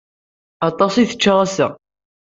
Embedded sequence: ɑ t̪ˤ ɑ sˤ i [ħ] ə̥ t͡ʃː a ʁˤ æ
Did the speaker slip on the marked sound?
yes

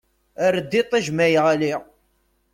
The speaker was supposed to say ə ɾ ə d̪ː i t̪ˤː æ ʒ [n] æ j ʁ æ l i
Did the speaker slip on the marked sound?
yes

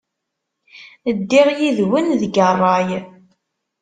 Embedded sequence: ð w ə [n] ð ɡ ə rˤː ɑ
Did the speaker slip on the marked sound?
no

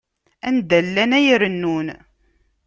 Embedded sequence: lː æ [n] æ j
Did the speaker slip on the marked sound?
no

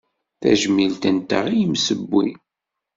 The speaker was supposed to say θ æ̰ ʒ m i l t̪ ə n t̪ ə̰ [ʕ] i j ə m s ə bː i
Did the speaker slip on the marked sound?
yes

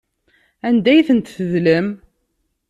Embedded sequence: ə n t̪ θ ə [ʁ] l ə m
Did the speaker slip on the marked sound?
yes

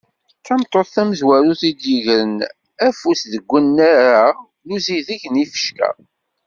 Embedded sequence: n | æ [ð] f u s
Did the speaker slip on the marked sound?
yes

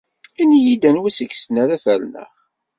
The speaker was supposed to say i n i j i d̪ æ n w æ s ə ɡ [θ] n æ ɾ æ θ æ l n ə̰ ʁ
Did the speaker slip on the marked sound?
yes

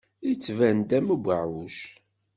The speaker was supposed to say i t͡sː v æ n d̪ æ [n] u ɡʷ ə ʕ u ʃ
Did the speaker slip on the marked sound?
yes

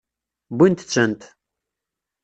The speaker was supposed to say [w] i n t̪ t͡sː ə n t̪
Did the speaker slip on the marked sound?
yes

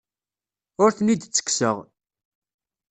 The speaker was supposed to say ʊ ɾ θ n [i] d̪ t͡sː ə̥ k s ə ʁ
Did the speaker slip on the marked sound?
no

